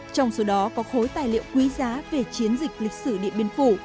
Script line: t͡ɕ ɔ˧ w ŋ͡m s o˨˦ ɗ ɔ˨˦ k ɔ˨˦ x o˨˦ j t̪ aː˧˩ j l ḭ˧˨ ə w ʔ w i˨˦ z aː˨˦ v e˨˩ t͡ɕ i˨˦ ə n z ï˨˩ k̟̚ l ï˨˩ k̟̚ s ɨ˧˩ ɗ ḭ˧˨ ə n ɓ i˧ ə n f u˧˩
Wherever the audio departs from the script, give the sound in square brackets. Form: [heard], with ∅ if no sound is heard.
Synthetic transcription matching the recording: t͡ɕ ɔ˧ w ŋ͡m s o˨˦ ɗ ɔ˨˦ k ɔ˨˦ x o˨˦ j t̪ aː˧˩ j l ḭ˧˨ ə w [k] w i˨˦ z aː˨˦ v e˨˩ t͡ɕ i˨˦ ə n z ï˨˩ k̟̚ l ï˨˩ k̟̚ s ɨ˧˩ ɗ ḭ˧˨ ə n ɓ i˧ ə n f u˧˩